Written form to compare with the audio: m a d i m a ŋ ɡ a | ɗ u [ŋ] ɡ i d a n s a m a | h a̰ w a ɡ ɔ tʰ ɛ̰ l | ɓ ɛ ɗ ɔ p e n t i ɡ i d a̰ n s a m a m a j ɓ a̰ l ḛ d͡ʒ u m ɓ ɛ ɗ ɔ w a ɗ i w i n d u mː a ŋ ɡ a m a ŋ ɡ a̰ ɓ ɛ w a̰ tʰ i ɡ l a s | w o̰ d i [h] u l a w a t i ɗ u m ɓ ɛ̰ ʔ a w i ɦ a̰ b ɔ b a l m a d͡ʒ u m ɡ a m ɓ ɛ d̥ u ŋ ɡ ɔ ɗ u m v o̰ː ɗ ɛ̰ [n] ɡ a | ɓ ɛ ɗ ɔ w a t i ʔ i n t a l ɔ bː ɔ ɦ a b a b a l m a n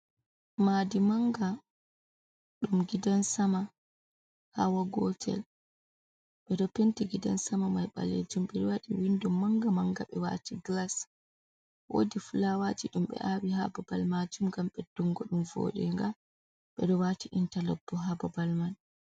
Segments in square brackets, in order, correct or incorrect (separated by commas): incorrect, incorrect, incorrect